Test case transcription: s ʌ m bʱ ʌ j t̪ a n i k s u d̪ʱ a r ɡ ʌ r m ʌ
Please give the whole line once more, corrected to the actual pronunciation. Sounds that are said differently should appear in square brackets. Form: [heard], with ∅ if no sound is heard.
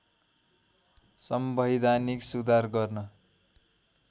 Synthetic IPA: s ʌ m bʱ ʌ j [d̪] a n i k s u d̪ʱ a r ɡ ʌ r [n] ʌ